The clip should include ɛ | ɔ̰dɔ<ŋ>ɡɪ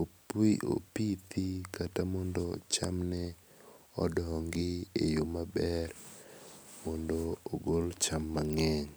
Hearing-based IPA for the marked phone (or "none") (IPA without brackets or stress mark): ŋ